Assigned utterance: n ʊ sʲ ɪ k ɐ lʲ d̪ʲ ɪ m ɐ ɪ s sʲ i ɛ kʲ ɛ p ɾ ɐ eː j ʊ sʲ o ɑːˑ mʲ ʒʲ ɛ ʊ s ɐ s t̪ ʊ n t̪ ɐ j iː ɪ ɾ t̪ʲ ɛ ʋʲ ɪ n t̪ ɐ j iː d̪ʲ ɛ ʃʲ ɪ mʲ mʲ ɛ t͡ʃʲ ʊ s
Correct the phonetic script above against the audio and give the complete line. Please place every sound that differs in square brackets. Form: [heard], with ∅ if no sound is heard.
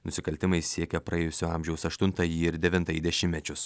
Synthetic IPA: n ʊ sʲ ɪ k ɐ lʲ [t̪ʲ] ɪ m ɐ ɪ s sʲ i ɛ kʲ ɛ p ɾ ɐ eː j ʊ sʲ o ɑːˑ mʲ ʒʲ ɛ ʊ s ɐ [ʃ] t̪ ʊ n t̪ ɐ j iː ɪ ɾ [d̪ʲ] ɛ ʋʲ ɪ n t̪ ɐ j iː d̪ʲ ɛ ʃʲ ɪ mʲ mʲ ɛ t͡ʃʲ ʊ s